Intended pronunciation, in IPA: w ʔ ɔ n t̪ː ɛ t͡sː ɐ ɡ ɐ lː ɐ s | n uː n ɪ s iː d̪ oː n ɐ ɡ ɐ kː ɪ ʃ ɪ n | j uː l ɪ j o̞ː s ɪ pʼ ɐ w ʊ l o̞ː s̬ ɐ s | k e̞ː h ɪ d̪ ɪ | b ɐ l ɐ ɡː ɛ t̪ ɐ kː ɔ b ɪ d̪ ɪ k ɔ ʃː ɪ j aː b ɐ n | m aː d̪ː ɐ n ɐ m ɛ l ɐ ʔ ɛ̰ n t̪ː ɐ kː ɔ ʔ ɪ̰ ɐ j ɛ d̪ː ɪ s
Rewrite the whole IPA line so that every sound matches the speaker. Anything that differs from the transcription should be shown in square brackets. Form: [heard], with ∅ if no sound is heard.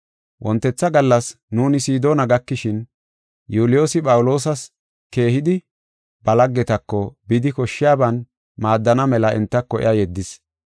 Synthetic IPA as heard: w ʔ ɔ n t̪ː ɛ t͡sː ɐ ɡ ɐ lː ɐ s | n uː n ɪ s iː d̪ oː n ɐ ɡ ɐ kː ɪ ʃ ɪ n | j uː l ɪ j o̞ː s ɪ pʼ ɐ w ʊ l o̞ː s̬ ɐ s | k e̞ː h ɪ d̪ ɪ | b ɐ l ɐ ɡː ɛ t̪ ɐ kː ɔ b ɪ d̪ ɪ k ɔ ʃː ɪ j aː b ɐ n | m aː d̪ː ɐ n ɐ m ɛ l ɐ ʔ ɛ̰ n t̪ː ɐ kː ɔ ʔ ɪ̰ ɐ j ɛ d̪ː ɪ s